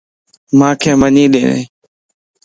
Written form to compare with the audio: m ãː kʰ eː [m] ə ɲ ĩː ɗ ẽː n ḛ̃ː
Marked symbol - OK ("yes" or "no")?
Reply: yes